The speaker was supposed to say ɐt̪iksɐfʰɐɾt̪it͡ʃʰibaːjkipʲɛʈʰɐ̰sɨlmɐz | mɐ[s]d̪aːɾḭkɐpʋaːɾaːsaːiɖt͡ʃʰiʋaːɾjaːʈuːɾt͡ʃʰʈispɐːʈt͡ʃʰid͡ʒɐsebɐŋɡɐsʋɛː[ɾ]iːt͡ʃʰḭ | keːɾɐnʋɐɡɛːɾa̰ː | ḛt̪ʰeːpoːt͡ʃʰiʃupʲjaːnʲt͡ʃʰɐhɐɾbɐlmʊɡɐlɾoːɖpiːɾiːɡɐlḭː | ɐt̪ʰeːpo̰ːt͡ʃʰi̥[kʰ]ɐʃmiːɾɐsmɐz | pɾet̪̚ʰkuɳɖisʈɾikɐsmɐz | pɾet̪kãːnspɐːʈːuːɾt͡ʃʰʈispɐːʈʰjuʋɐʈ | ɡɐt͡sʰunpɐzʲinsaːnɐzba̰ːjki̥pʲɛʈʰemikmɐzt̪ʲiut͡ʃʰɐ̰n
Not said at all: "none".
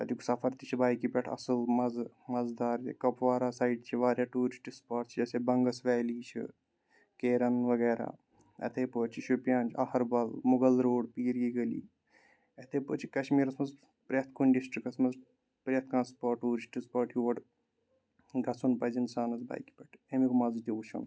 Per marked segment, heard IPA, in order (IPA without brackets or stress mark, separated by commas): z, l, k